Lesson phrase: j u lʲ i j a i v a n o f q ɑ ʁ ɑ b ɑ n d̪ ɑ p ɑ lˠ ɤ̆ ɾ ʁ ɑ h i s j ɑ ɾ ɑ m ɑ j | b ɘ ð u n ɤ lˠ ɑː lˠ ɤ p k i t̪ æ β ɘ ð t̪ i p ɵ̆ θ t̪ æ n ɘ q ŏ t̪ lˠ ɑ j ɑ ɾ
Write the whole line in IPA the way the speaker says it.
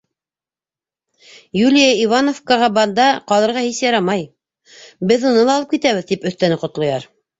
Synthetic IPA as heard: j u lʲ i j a i v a n o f k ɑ ʁ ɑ b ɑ n d̪ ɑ q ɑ lˠ ɤ̆ ɾ ʁ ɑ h i s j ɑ ɾ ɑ m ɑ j | b ɘ ð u n ɤ lˠ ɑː lˠ ɤ p k i t̪ æ β ɘ ð t̪ i p ɵ̆ θ t̪ æ n ɘ q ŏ t̪ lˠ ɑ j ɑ ɾ